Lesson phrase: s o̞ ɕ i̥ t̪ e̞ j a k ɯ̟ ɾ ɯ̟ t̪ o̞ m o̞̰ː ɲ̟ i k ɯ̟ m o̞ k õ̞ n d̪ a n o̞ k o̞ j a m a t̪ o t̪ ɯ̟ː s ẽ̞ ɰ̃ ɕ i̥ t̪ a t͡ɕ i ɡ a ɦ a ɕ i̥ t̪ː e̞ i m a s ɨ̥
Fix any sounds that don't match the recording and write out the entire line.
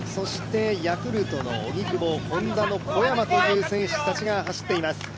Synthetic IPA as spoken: s o̞ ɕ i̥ t̪ e̞ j a k ɯ̟ ɾ ɯ̟ t̪ o̞ n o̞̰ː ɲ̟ i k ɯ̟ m o̞ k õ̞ n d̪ a n o̞ k o̞ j a m a t̪ o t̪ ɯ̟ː s ẽ̞ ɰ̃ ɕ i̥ t̪ a t͡ɕ i ɡ a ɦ a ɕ i̥ t̪ː e̞ i m a s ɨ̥